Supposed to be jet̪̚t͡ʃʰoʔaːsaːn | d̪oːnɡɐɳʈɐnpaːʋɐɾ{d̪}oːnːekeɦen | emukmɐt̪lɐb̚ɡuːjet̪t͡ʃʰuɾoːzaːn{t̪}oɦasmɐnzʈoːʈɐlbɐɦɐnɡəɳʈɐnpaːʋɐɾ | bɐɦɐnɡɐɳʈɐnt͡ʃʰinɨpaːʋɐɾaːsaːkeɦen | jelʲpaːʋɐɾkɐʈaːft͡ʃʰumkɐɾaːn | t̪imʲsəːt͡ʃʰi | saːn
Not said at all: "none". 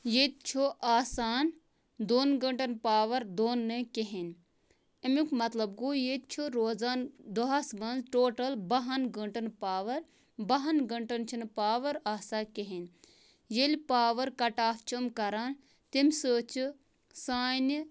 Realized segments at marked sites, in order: d̪, d̪

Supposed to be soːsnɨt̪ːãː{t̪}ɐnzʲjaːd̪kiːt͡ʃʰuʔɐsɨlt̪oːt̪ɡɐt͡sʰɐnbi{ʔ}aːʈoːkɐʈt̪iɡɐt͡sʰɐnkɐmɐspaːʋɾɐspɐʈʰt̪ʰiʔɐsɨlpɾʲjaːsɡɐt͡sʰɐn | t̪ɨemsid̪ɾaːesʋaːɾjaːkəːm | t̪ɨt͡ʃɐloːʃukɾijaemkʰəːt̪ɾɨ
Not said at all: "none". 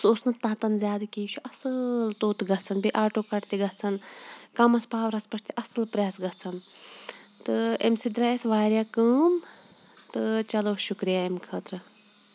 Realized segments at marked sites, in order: t̪, ʔ

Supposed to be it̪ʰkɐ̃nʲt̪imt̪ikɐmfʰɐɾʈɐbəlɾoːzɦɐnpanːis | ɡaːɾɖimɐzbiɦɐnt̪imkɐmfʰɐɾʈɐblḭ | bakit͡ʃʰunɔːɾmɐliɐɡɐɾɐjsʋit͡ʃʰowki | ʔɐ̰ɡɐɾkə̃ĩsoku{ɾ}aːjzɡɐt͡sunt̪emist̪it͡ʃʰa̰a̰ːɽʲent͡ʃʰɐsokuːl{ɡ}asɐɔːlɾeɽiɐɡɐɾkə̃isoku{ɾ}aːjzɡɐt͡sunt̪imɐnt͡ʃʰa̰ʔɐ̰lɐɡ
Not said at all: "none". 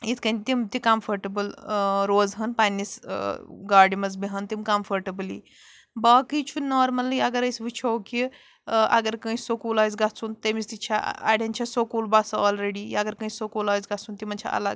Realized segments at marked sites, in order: l, b, l

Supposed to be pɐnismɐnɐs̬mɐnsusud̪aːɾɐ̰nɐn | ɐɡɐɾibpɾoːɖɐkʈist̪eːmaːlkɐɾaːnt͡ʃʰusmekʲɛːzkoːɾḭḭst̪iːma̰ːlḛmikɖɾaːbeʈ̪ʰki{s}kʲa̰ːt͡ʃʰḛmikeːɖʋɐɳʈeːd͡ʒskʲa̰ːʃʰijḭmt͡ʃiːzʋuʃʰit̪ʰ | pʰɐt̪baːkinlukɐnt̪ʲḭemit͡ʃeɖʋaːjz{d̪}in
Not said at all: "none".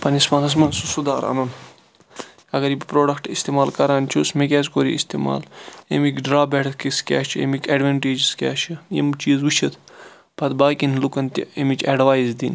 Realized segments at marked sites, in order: s, d̪

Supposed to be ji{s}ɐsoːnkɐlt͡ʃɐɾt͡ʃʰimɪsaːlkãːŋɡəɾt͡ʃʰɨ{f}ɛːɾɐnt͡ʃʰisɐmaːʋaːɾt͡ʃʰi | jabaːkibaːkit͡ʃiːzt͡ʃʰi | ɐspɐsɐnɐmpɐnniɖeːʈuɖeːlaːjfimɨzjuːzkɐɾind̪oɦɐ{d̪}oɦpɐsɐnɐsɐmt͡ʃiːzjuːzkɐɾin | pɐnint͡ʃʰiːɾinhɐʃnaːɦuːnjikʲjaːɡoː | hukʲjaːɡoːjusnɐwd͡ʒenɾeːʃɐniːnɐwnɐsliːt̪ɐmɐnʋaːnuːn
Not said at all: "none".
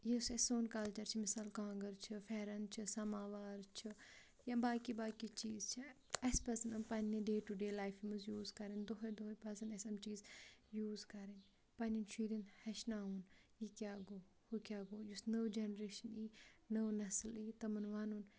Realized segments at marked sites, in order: s, f, d̪

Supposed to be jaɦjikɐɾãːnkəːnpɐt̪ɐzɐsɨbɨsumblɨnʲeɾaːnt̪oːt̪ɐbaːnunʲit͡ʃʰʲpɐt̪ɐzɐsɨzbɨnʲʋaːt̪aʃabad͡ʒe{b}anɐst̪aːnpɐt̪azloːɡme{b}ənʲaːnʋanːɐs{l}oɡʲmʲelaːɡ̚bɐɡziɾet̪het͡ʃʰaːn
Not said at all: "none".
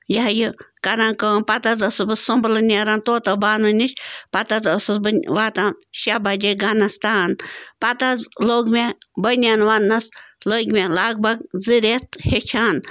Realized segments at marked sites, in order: ɡ, b, l

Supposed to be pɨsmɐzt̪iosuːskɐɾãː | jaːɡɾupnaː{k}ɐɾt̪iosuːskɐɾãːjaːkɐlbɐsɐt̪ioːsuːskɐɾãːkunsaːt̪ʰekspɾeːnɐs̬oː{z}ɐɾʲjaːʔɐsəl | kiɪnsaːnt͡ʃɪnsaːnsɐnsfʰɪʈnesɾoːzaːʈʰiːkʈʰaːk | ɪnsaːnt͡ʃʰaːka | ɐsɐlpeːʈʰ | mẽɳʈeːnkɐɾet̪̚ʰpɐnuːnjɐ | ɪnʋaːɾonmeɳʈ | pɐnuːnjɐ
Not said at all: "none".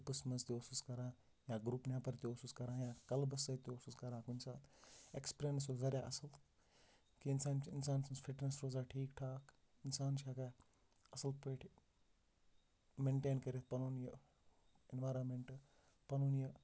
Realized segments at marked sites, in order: p, z

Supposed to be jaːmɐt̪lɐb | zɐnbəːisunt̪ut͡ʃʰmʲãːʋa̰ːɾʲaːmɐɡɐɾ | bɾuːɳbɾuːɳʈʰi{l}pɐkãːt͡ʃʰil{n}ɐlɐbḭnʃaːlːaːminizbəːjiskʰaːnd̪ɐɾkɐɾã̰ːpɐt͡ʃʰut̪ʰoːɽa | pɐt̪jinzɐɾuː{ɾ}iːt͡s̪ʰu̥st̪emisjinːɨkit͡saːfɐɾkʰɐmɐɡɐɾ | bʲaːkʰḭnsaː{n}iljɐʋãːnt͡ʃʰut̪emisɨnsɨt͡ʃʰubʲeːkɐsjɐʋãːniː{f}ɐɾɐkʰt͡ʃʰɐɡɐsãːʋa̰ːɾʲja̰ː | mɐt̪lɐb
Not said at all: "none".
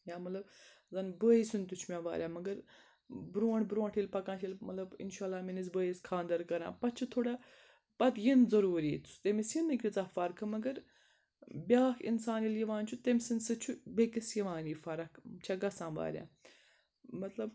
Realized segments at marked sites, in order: l, m, ɾ, n, f

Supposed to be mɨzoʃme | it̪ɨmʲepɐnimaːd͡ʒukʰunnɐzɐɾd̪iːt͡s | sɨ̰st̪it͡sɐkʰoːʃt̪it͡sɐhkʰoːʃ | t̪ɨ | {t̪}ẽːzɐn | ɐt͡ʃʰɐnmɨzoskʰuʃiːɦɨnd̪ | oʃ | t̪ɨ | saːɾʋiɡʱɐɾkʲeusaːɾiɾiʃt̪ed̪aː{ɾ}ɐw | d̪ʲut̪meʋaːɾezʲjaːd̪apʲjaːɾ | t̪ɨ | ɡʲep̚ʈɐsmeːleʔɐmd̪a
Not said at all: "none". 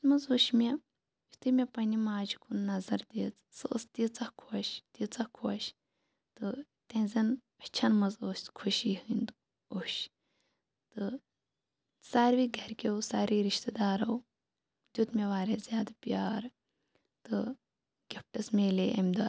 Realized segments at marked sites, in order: t̪, ɾ

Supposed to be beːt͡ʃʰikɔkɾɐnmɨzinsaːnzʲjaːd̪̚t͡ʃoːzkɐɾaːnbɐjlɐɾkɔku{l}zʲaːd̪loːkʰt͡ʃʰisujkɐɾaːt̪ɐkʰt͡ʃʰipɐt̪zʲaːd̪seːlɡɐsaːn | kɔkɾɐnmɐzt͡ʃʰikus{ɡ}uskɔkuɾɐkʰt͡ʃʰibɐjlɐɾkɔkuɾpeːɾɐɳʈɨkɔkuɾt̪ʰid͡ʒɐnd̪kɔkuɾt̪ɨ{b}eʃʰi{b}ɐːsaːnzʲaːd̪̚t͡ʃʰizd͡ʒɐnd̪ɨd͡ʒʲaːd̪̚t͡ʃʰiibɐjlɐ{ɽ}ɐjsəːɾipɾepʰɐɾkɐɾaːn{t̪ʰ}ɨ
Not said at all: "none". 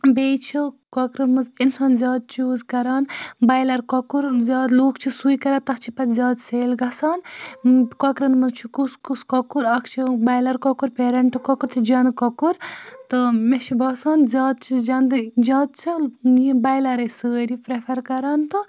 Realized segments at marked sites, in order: ɾ, k, m, b, ɾ, t̪

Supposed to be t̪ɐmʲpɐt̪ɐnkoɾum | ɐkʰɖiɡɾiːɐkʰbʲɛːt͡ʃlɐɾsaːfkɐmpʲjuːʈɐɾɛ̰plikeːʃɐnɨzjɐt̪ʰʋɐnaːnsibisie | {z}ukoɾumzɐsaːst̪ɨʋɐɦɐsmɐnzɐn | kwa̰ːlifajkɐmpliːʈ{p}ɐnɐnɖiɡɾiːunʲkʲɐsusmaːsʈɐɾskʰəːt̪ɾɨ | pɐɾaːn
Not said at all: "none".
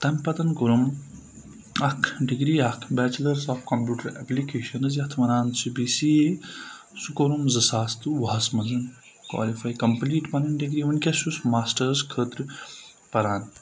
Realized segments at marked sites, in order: s, p

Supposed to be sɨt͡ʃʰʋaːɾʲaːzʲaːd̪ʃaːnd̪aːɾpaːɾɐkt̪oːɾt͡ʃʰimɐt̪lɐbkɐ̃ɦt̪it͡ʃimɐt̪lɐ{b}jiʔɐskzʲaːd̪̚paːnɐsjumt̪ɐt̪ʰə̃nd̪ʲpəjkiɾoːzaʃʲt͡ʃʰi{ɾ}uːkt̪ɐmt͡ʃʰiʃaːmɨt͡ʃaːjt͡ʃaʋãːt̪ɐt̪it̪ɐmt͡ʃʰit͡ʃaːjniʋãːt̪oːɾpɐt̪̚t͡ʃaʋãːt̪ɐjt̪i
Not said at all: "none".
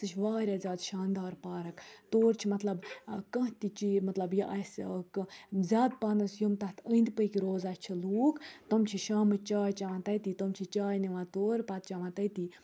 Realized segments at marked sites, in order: b, l

